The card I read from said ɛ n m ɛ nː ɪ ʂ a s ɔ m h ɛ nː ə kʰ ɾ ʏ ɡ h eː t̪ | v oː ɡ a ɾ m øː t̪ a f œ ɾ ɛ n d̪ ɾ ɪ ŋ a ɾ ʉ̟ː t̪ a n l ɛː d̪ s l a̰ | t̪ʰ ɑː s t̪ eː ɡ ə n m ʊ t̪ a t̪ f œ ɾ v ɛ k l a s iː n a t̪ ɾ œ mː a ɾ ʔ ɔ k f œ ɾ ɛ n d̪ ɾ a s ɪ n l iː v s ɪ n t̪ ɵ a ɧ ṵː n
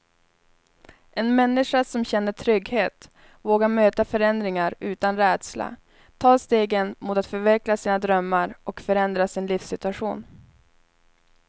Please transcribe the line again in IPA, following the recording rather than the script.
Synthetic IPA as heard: ɛ n m ɛ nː ɪ ʂ a s ɔ m ɕ ɛ nː ə ʈʰ ɾ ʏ ɡ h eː t̪ | v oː ɡ a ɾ m øː t̪ a f œ ɾ ɛ n d̪ ɾ ɪ ŋ a ɾ ʉ̟ː t̪ a n ɾ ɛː d̪ s l a̰ | t̪ʰ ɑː s t̪ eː ɡ ə n m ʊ t̪ a t̪ f œ ɾ v ɛ k l a s iː n a d̪ ɾ œ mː a ɾ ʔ ɔ k f œ ɾ ɛ n d̪ ɾ a s ɪ n l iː f s ɪ t̪ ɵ a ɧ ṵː n